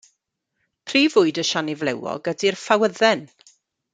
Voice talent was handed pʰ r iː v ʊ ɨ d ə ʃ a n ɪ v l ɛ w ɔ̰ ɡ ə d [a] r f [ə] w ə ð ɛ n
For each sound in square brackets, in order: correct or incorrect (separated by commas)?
incorrect, incorrect